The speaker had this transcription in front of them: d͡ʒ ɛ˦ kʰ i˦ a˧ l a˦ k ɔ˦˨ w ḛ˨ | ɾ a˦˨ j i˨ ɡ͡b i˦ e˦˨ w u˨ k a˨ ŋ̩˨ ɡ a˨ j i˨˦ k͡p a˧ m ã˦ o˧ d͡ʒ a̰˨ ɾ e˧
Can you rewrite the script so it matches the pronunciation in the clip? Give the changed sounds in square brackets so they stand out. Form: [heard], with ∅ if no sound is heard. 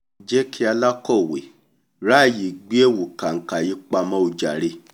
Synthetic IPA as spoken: d͡ʒ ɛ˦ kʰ i˦ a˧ l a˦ k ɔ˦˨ w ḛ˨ | ɾ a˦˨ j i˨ ɡ͡b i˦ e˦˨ w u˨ k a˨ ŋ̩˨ [k] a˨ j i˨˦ k͡p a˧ m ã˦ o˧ d͡ʒ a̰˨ ɾ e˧